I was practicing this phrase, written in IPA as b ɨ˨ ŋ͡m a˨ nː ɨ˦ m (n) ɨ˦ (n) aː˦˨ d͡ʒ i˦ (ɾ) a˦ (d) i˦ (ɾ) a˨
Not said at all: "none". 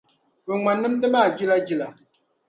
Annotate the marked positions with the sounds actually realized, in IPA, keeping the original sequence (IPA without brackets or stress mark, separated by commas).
d, m, l, d͡ʒ, l